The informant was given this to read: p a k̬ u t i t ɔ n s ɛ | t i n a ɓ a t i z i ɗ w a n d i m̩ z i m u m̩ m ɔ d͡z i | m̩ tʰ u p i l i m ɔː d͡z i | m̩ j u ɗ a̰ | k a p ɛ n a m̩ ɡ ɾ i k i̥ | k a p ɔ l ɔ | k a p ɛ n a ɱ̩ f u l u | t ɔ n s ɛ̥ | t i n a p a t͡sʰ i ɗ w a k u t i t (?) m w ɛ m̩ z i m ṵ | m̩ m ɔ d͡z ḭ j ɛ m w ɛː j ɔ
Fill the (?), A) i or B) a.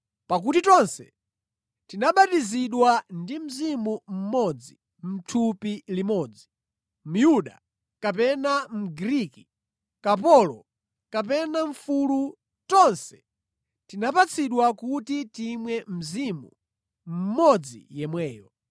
A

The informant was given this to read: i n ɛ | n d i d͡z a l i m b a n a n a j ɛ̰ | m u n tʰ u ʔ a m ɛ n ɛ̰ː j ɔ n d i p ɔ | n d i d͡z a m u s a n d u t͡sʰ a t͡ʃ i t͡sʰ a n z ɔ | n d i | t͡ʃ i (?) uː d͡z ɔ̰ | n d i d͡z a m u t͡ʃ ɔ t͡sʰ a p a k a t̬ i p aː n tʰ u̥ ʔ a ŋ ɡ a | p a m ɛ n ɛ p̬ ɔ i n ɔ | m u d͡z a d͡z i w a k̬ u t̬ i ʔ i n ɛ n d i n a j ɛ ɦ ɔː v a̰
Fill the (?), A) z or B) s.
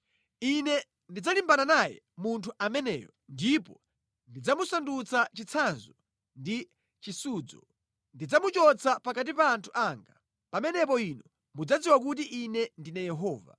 B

